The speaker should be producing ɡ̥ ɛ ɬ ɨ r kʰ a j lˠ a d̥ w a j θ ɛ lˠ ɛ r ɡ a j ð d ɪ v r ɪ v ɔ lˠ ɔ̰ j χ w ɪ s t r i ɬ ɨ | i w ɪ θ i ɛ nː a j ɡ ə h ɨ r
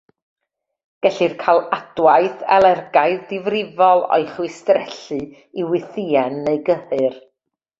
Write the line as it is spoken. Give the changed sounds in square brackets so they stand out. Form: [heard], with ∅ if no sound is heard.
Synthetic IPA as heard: ɡ̥ ɛ ɬ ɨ r kʰ a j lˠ a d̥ w a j θ ɛ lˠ ɛ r ɡ a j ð d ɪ v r ɪ v ɔ lˠ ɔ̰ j χ w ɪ s t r [ɛ] ɬ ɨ | i w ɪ θ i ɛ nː [e] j ɡ ə h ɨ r